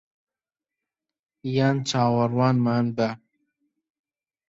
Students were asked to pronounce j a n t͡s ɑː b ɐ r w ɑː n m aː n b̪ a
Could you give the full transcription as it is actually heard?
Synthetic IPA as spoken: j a n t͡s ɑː w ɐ ɾ w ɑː n m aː n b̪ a